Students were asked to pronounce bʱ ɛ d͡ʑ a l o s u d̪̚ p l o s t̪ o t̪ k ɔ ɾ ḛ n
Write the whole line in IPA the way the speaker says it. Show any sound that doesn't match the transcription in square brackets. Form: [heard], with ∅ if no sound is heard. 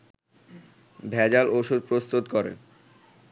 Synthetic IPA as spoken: bʱ ɛ d͡ʑ a l o [ʃ] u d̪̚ p [ɾ] o s t̪ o t̪ k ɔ ɾ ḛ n